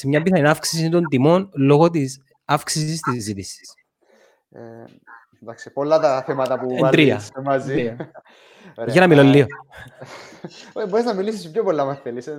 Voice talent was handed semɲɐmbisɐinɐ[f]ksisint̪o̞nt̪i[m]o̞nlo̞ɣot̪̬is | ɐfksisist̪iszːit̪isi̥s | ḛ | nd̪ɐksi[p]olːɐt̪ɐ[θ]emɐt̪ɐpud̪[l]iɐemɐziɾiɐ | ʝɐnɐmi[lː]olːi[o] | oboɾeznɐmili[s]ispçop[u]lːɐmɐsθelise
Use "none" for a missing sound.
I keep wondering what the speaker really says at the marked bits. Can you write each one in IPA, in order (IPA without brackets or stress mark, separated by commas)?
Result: f, m, p, θ, ɾ, l, o, s, o